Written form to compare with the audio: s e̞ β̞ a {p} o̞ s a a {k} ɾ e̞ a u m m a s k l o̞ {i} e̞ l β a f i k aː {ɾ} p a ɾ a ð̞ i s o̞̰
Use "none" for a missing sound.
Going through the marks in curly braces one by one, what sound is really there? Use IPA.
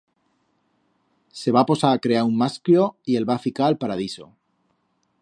p, k, i, l

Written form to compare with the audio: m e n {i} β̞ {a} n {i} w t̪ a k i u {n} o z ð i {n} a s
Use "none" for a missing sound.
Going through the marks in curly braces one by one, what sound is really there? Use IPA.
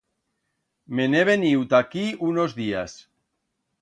e, e, i, n, none

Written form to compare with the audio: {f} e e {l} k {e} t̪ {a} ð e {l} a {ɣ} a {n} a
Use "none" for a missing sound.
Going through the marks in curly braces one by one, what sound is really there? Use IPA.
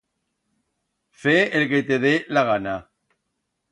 f, l, e, e, l, ɣ, n

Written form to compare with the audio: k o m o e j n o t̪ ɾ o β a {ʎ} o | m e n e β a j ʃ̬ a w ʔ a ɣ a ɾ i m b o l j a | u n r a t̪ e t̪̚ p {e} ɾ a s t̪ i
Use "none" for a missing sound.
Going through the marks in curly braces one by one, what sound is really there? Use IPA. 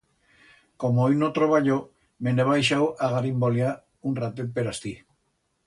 ʎ, e

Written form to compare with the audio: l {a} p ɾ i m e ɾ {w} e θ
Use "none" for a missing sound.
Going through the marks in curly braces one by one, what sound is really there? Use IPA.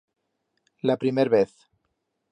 a, β

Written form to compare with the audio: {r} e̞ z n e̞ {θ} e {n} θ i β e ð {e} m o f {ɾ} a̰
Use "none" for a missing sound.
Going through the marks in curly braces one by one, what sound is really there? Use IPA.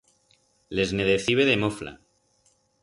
l, ð, none, e, l

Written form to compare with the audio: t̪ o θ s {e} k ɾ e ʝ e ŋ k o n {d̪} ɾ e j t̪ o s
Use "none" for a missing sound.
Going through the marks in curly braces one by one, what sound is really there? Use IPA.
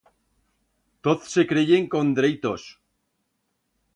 e, d̪

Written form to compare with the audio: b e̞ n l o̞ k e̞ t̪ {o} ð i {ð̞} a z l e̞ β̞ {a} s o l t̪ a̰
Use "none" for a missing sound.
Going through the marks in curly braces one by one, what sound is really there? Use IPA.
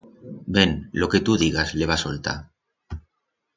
u, ɣ̞, a

